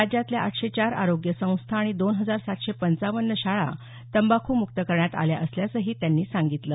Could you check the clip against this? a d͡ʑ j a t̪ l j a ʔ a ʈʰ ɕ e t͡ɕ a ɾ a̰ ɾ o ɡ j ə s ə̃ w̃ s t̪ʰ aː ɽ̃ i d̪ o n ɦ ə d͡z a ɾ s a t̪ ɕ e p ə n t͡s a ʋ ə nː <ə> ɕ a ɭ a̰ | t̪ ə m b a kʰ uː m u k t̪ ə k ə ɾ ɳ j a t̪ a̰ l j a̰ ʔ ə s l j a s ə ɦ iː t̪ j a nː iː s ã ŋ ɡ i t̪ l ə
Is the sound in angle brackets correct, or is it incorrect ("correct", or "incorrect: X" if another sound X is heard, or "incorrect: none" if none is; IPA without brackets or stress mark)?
correct